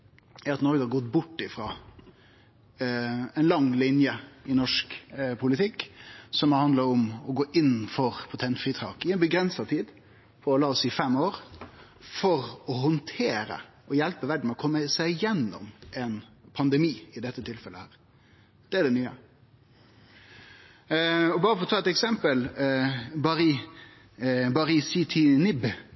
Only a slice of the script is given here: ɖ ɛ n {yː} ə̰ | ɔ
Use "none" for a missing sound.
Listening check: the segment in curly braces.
yː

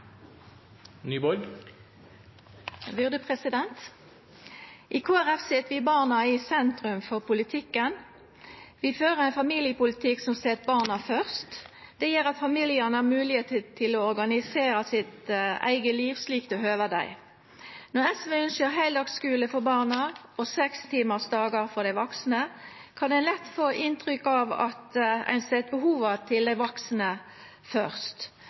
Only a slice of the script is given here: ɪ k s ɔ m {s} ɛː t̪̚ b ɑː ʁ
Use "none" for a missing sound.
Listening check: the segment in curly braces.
s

